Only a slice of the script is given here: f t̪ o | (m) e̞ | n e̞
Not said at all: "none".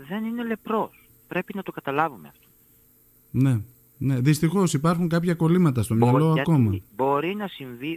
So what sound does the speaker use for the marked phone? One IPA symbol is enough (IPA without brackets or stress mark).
n